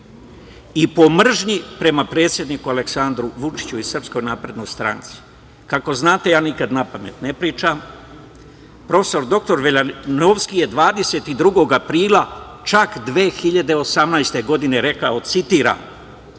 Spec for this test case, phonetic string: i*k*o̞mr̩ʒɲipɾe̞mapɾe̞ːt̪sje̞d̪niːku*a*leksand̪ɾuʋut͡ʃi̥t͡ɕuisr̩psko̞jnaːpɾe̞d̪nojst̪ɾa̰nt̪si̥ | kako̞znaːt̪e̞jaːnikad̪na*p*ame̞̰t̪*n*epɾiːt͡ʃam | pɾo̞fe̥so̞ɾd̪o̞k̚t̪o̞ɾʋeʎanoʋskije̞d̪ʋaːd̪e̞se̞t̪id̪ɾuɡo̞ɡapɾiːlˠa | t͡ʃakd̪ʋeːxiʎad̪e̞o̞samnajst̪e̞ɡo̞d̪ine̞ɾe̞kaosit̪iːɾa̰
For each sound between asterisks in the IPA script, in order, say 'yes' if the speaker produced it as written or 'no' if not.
no, yes, yes, yes

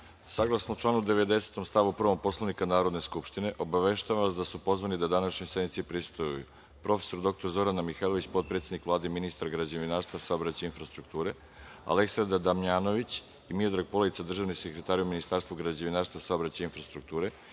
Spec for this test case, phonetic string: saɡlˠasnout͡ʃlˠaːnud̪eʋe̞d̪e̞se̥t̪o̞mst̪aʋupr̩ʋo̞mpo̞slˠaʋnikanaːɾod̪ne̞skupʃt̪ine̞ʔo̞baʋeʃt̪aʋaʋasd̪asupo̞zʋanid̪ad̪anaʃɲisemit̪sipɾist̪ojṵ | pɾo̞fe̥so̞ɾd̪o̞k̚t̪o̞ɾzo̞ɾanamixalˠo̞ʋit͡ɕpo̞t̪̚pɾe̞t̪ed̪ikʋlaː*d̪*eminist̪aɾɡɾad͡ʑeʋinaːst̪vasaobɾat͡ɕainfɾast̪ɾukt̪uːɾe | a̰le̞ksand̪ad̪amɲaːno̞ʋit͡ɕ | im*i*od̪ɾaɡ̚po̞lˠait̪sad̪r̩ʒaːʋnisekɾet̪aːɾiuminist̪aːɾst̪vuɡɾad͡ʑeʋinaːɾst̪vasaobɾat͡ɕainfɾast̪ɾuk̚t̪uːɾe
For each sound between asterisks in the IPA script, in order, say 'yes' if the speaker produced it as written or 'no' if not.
yes, yes

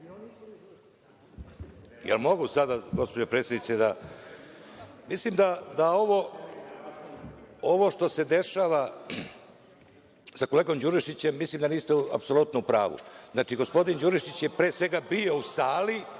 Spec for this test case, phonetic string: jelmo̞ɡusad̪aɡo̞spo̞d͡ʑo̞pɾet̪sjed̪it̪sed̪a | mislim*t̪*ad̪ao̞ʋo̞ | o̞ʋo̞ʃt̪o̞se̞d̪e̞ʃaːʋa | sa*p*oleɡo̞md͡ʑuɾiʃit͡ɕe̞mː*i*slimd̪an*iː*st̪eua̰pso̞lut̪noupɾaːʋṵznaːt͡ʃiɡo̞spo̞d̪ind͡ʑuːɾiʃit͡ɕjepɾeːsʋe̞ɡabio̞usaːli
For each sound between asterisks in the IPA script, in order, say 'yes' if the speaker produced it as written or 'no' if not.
no, no, yes, yes

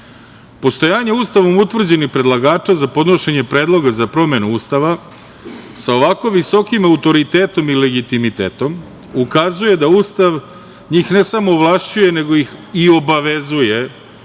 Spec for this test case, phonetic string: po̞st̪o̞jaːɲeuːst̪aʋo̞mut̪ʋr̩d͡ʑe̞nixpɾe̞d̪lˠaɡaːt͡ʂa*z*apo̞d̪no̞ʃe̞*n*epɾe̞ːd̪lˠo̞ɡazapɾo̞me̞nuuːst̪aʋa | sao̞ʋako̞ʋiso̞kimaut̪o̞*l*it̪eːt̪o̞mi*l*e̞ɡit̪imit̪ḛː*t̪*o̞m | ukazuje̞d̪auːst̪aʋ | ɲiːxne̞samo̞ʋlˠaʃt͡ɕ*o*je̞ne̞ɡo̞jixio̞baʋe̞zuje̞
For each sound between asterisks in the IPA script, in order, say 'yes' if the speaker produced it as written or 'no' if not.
yes, no, no, yes, yes, no

